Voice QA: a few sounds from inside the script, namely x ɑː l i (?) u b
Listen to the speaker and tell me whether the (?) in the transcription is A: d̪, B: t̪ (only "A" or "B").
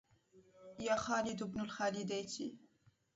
A